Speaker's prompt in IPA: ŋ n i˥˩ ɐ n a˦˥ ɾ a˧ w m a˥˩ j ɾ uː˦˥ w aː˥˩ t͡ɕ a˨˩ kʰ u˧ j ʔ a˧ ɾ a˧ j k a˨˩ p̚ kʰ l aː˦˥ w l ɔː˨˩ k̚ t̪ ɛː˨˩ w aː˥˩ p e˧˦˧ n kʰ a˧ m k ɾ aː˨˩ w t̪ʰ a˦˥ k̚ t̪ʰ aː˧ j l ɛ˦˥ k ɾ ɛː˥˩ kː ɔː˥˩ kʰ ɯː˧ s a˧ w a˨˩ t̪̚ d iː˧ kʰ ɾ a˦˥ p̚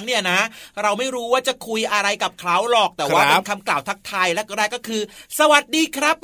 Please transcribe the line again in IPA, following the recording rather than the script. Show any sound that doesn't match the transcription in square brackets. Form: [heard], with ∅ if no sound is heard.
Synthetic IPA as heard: ŋ n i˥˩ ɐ n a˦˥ ɾ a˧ w m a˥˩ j ɾ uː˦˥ w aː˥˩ t͡ɕ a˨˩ kʰ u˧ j ʔ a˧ ɾ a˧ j k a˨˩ p̚ kʰ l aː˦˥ w l ɔː˨˩ k̚ t̪ ɛː˨˩ w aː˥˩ p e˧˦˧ n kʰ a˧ m k [l] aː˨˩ w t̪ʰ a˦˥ k̚ t̪ʰ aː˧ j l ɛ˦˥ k ɾ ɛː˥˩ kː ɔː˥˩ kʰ ɯː˧ s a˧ w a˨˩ t̪̚ d iː˧ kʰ ɾ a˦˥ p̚